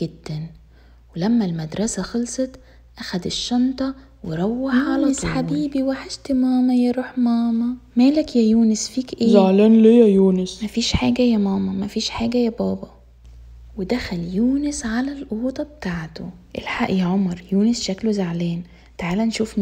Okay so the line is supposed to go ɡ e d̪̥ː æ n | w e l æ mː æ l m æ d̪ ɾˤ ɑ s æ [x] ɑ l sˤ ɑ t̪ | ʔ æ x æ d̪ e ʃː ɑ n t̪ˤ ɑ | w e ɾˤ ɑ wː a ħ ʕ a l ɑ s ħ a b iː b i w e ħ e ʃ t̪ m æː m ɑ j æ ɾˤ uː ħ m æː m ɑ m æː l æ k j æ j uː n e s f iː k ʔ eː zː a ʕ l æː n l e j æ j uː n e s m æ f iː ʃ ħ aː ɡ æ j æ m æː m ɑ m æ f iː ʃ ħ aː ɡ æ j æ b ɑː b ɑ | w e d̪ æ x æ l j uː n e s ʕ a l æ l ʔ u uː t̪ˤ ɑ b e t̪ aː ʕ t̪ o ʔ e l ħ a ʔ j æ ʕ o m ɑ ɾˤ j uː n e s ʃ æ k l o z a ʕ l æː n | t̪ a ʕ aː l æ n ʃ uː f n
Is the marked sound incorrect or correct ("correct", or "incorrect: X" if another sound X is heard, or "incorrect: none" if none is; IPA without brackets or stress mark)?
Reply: correct